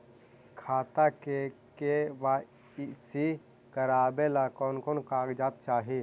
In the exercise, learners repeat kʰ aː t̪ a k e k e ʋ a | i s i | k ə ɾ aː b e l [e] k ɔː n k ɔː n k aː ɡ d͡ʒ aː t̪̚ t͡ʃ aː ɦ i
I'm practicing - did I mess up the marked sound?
yes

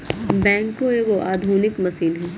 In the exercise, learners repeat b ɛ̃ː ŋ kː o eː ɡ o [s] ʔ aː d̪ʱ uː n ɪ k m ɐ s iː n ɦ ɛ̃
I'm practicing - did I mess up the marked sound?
yes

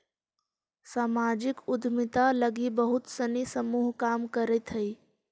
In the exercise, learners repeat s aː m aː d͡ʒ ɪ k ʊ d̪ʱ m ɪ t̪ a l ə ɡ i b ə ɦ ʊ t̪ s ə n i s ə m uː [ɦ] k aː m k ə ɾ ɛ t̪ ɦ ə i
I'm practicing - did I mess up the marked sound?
no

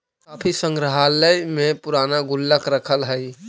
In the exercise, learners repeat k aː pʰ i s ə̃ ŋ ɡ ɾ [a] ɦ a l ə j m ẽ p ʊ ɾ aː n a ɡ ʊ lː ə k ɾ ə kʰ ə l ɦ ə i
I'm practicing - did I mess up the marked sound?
yes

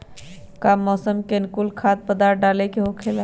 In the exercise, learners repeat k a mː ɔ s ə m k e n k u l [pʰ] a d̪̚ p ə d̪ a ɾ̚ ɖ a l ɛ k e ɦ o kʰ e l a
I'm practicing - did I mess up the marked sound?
yes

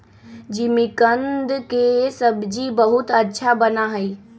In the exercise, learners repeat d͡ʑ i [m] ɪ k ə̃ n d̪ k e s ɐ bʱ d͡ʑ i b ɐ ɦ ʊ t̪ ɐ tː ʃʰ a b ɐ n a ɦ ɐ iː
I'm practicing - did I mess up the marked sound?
no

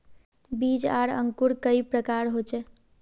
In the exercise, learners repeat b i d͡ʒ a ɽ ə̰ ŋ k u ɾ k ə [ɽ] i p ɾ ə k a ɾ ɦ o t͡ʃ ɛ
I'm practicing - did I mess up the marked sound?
yes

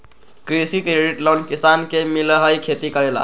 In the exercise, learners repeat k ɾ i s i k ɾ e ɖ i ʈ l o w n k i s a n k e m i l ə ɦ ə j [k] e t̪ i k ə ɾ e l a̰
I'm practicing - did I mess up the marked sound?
yes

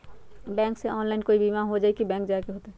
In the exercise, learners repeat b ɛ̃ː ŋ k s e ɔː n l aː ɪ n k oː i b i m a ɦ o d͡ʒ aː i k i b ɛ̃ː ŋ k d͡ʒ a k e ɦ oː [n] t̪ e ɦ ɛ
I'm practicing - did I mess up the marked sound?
yes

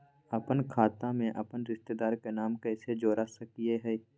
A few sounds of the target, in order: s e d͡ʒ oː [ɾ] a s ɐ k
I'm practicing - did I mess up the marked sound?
no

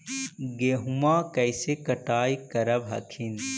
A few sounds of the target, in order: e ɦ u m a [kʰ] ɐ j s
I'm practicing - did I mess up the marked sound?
yes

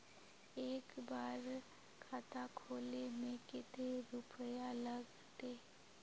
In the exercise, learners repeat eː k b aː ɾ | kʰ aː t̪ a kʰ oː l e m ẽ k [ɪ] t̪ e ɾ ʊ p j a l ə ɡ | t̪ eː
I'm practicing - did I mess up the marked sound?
no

